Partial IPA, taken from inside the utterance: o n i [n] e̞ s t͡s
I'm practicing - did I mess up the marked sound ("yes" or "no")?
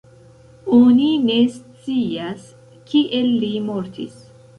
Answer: no